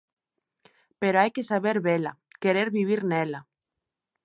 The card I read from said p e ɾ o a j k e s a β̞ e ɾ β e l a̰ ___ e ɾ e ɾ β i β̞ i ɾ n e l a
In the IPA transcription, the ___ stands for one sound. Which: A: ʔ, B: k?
B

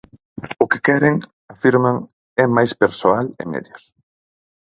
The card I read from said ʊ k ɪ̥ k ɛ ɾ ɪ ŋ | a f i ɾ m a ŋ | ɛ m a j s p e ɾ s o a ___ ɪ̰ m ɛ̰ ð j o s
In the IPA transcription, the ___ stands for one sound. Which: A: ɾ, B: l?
B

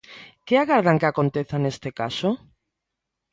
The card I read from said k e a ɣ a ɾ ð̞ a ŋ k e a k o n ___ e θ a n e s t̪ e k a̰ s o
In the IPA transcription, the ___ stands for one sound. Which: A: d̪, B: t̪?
B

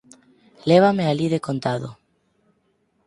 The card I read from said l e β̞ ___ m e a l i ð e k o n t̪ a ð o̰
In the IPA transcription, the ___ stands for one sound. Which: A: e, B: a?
B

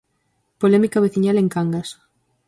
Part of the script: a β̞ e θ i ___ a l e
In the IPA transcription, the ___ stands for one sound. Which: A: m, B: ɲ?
B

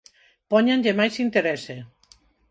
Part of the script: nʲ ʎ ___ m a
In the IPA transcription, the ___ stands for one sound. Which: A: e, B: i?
A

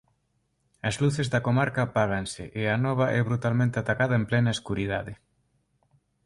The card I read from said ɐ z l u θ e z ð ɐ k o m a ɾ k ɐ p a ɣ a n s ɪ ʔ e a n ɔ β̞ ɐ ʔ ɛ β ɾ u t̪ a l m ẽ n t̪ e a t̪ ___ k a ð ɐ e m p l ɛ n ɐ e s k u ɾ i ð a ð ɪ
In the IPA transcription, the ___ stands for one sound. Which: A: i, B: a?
B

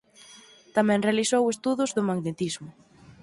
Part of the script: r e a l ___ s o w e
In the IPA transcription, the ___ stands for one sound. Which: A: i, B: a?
A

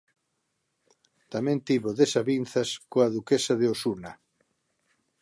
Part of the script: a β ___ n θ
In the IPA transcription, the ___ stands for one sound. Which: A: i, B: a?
A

